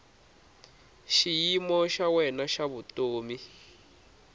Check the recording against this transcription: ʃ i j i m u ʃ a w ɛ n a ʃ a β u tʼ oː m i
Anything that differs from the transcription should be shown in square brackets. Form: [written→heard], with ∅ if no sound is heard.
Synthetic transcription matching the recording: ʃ i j i m [u→ɔ] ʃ a w ɛ n a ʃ a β u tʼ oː m i